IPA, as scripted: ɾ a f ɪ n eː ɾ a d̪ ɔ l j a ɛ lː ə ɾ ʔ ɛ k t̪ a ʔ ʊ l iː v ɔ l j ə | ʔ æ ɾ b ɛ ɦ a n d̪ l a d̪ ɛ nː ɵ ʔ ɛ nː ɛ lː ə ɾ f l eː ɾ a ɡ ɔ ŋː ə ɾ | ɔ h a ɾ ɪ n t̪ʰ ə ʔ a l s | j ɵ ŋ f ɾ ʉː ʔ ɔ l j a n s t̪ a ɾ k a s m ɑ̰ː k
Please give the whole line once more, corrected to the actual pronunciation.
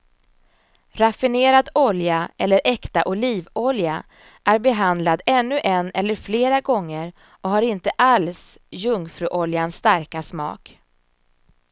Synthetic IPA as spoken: ɾ a f ɪ n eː ɾ a d̪ ɔ l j a ɛ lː ə ɾ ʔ ɛ k t̪ a ʔ ʊ l iː v ɔ l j a | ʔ æ ɾ b ɛ ɦ a n d̪ l a d̪ ɛ nː ɵ ʔ ɛ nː ɛ lː ə ɾ f l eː ɾ a ɡ ɔ ŋː ə ɾ | ɔ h a ɾ ɪ n t̪ ə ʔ a l s | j ɵ ŋ f ɾ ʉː ʔ ɔ l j a n s t̪ a ɾ k a s m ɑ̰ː k